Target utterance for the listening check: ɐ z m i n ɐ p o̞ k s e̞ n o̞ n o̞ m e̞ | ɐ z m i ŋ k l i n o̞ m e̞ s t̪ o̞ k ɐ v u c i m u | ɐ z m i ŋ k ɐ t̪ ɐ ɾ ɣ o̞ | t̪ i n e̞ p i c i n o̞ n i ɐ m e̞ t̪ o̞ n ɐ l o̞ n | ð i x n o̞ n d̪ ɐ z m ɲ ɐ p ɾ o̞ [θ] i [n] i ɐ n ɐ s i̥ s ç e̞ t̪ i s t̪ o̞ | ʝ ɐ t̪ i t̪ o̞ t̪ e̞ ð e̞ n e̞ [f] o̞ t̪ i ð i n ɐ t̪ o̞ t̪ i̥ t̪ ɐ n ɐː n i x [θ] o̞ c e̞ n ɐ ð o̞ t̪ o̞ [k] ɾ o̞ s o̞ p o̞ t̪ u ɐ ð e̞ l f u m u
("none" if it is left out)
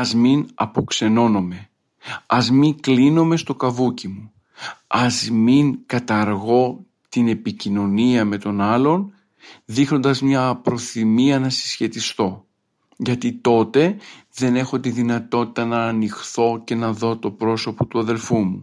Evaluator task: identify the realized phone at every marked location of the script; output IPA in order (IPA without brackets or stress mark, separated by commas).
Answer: θ, m, x, θ, p